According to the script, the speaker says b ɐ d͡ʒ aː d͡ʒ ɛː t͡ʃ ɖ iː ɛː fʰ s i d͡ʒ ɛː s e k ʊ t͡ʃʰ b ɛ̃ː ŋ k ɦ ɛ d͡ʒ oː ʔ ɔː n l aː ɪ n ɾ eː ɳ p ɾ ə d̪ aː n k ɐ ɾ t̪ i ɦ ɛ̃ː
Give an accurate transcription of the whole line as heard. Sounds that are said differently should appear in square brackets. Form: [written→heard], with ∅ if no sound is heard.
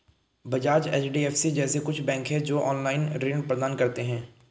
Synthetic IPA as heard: b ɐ d͡ʒ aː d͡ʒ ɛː t͡ʃ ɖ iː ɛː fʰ s i d͡ʒ ɛː s e k ʊ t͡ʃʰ b ɛ̃ː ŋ k ɦ ɛ d͡ʒ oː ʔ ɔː n l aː ɪ n ɾ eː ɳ p ɾ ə d̪ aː n k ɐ ɾ t̪ [i→e] ɦ ɛ̃ː

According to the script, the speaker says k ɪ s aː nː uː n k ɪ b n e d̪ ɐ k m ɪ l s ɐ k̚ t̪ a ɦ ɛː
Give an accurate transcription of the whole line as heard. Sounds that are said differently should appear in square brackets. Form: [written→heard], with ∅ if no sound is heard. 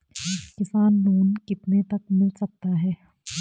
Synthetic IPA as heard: k ɪ s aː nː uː n k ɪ [b→p] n e [d̪→t̪] ɐ k m ɪ l s ɐ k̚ t̪ a ɦ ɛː

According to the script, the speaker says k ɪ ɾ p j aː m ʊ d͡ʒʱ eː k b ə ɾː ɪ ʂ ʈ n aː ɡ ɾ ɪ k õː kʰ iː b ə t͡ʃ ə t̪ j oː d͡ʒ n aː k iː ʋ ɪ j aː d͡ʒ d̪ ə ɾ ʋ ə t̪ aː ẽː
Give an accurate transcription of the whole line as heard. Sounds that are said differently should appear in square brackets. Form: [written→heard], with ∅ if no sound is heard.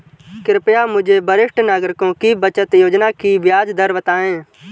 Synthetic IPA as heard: k ɪ ɾ p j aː m ʊ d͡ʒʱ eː [k→∅] b ə [ɾː→ɾ] ɪ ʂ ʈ n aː ɡ ɾ ɪ k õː [kʰ→k] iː b ə t͡ʃ ə t̪ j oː d͡ʒ n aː k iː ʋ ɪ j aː d͡ʒ d̪ ə ɾ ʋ ə t̪ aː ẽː

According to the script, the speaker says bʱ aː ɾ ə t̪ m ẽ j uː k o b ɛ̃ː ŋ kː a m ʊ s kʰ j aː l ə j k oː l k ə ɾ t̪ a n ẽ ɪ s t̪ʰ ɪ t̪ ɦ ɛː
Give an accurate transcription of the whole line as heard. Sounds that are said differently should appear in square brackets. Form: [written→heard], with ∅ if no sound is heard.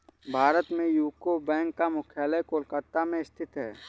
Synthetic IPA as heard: bʱ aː ɾ ə t̪ m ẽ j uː k o b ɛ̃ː ŋ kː a m ʊ [s→∅] kʰ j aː l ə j k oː l k ə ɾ t̪ a [n→m] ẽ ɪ s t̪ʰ ɪ t̪ ɦ ɛː

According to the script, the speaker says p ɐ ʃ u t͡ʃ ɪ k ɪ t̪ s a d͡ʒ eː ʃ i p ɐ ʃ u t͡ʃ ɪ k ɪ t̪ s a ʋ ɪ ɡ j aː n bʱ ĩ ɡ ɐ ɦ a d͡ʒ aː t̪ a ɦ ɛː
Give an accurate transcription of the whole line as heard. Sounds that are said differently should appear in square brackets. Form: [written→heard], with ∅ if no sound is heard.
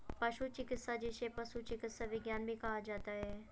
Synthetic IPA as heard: p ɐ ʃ u t͡ʃ ɪ k ɪ t̪ s a d͡ʒ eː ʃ [i→e] p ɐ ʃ u t͡ʃ ɪ k ɪ t̪ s a ʋ ɪ ɡ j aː n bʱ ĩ [ɡ→k] ɐ ɦ a d͡ʒ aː t̪ a ɦ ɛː

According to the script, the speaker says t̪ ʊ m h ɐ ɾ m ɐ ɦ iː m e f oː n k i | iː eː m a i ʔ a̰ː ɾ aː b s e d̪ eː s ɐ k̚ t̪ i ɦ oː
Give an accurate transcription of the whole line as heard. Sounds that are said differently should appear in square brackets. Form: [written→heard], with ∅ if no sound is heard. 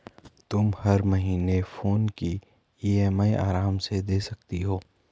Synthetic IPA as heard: t̪ ʊ m h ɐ ɾ m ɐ ɦ iː [m→n] e f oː n k i | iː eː m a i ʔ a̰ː ɾ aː [b→m] s e d̪ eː s ɐ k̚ t̪ i ɦ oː

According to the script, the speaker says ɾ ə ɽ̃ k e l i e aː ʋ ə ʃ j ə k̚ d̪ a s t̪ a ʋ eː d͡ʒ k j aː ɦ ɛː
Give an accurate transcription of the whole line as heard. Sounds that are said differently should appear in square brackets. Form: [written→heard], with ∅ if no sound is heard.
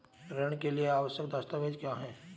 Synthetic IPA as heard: ɾ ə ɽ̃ k e l i e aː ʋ ə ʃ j ə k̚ d̪ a s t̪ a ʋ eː d͡ʒ k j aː ɦ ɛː

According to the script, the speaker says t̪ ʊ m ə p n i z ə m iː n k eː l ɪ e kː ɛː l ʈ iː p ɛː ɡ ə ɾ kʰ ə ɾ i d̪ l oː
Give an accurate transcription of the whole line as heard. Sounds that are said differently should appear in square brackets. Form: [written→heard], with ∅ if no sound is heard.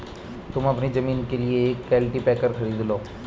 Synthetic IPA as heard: t̪ ʊ m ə p n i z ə m iː n k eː l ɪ e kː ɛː l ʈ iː p ɛː [ɡ→k] ə ɾ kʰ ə ɾ [i→iː] d̪ l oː

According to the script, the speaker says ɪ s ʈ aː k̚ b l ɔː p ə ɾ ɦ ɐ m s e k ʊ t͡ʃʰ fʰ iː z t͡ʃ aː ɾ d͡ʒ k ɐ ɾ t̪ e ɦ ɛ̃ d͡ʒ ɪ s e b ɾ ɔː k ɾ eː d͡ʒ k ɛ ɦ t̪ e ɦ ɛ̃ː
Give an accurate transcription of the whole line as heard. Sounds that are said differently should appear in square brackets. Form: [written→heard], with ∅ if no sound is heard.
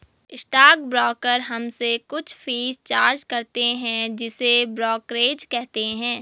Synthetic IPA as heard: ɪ s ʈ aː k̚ b [l→ɾ] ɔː [p→k] ə ɾ ɦ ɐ m s e k ʊ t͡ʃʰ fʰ iː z t͡ʃ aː ɾ d͡ʒ k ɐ ɾ t̪ e ɦ ɛ̃ d͡ʒ ɪ s e b ɾ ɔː k ɾ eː d͡ʒ k ɛ ɦ t̪ e ɦ ɛ̃ː

